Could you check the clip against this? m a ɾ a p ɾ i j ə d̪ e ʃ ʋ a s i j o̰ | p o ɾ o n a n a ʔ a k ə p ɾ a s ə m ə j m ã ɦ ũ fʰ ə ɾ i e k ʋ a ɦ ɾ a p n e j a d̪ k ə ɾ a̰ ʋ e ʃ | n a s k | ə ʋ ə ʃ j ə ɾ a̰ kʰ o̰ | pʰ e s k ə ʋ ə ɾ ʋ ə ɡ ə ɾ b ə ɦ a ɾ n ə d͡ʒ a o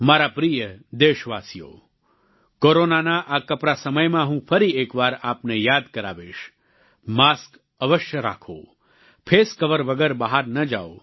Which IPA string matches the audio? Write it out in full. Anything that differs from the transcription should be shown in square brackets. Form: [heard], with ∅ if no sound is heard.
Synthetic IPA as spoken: m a ɾ a p ɾ i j ə d̪ e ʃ ʋ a s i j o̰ | [k] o ɾ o n a n a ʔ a k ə p ɾ a s ə m ə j m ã ɦ ũ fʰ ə ɾ i e k ʋ a [∅] ɾ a p n e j a d̪ k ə ɾ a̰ ʋ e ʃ | [m] a s k | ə ʋ ə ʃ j ə ɾ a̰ kʰ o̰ | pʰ e s k ə ʋ ə ɾ ʋ ə ɡ ə ɾ b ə ɦ a ɾ n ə d͡ʒ a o